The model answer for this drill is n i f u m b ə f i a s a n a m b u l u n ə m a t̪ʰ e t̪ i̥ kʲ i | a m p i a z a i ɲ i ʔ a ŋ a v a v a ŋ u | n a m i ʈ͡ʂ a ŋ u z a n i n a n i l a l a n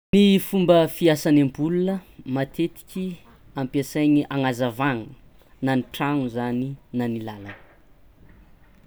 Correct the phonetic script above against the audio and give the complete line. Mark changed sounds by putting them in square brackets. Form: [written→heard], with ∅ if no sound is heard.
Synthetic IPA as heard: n i f u m b ə f i a s a n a m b u l u n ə m a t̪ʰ e t̪ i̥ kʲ i | a m p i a [z→s] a [i→j] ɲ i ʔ a ŋ a [v→z] a v a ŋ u | n a [m→n] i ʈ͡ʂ a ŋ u z a n i n a n i l a l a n